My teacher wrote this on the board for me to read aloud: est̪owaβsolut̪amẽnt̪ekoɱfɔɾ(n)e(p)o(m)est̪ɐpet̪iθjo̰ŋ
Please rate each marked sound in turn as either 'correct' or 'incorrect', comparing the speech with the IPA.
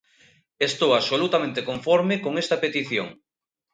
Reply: incorrect: m, incorrect: k, incorrect: ŋ

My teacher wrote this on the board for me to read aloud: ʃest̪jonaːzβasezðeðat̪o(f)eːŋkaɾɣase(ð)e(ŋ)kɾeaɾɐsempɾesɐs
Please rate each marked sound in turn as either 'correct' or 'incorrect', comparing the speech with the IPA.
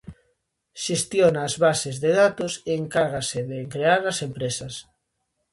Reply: incorrect: s, correct, correct

